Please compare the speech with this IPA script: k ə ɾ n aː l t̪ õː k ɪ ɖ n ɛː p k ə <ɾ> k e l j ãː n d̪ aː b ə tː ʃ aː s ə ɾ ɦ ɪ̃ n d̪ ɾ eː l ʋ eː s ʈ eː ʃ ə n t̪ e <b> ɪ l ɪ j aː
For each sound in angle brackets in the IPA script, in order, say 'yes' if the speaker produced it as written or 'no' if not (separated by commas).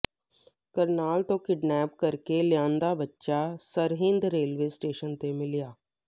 yes, no